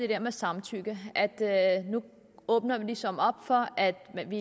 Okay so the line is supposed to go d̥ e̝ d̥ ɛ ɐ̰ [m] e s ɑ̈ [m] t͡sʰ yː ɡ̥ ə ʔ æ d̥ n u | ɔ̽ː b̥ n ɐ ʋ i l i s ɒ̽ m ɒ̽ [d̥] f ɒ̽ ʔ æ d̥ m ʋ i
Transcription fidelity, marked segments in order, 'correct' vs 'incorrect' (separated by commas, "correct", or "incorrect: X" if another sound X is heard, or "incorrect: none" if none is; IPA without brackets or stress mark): correct, correct, incorrect: b̥